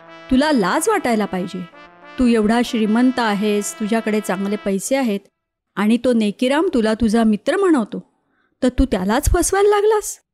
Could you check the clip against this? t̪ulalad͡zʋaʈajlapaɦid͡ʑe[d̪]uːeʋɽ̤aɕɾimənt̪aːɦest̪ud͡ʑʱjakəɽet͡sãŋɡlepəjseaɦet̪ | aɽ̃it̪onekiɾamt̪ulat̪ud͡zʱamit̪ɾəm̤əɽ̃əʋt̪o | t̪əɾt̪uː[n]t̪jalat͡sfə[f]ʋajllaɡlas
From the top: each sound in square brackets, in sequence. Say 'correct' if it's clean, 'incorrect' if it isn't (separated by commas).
incorrect, incorrect, incorrect